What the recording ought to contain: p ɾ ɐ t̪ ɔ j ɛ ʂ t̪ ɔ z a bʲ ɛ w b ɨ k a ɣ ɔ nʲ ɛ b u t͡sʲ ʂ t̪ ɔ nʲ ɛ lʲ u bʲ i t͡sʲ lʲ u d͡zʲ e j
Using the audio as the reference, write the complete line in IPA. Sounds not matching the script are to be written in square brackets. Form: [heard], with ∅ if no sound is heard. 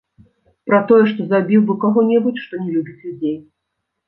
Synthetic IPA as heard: p ɾ ɐ t̪ ɔ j ɛ ʂ t̪ ɔ z a bʲ [i] w b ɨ k a ɣ ɔ nʲ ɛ b u t͡sʲ ʂ t̪ ɔ nʲ ɛ lʲ u bʲ i t͡sʲ lʲ u d͡zʲ e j